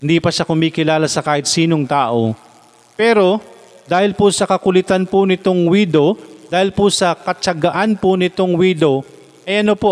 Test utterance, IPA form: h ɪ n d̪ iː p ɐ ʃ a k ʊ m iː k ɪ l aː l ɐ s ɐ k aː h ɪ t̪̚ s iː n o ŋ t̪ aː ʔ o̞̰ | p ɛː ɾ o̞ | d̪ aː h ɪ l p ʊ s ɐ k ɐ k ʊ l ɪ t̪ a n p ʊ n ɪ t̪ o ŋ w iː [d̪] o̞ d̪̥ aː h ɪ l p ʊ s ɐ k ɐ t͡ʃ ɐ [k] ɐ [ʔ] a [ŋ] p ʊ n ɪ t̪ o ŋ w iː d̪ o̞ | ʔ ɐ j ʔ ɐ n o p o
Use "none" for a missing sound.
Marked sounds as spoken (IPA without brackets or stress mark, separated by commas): d̪, ɡ, ʔ, n